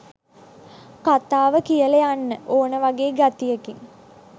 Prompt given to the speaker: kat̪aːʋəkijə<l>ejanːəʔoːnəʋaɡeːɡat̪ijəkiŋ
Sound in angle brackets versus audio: correct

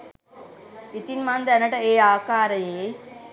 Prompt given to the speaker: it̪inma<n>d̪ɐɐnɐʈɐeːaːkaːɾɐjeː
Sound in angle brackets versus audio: correct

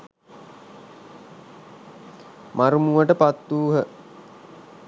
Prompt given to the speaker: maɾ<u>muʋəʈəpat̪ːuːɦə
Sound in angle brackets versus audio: correct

